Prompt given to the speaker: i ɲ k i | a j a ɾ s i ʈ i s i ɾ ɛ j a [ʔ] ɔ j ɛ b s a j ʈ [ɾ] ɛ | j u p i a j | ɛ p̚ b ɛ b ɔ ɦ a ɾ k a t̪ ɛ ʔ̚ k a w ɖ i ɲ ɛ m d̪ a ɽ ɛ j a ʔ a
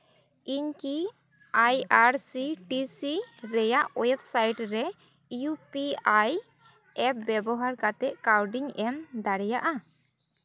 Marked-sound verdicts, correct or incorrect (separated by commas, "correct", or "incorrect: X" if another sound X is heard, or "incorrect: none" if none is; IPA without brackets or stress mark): correct, correct